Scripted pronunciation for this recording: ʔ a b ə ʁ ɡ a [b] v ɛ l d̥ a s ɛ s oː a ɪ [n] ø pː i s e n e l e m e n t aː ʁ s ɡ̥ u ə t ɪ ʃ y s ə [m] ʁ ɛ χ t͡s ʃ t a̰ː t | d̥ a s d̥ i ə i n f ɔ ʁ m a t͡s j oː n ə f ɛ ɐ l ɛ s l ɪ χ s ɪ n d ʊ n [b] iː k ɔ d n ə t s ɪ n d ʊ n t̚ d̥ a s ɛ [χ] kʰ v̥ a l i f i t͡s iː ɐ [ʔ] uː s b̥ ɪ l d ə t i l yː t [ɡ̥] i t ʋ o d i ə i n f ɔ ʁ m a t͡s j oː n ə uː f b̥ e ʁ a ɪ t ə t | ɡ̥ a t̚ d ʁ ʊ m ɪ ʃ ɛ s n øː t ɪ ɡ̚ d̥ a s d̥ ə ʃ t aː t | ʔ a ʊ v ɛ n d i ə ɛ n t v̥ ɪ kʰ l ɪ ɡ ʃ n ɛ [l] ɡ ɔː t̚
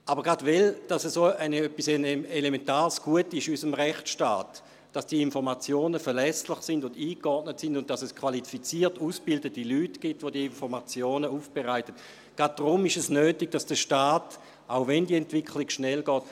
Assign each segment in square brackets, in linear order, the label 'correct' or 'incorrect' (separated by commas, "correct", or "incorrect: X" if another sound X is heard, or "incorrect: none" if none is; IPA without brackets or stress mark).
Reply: incorrect: d, correct, correct, incorrect: d, incorrect: s, incorrect: t, correct, correct